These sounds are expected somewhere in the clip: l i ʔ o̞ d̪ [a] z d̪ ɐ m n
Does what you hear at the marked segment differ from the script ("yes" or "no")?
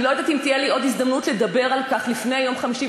yes